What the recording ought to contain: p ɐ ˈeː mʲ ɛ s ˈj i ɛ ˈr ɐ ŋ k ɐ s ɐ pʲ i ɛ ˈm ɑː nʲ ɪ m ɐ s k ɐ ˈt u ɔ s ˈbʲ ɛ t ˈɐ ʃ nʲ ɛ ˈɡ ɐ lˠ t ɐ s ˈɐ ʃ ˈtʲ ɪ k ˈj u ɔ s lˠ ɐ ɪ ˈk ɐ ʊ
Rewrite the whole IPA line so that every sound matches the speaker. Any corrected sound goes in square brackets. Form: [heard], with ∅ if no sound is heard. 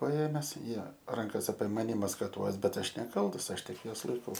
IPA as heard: p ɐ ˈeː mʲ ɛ s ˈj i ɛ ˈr ɐ ŋ k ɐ s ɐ pʲ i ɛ ˈm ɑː nʲ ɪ m ɐ s k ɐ ˈt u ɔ s ˈbʲ ɛ t ˈɐ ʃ nʲ ɛ [ˈk] ɐ lˠ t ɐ s ˈɐ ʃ ˈtʲ ɪ k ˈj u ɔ s lˠ ɐ ɪ ˈk ɐ ʊ